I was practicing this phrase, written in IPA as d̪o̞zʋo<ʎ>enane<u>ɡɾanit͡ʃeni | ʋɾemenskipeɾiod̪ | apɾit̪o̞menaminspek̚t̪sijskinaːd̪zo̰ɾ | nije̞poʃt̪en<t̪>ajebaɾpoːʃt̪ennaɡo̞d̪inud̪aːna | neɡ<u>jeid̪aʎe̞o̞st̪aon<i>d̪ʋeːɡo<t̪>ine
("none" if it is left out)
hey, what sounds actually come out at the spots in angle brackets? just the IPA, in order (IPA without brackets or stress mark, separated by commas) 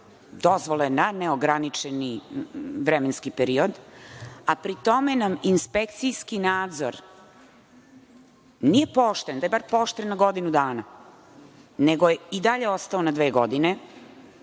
l, o, d̪, o, a, d̪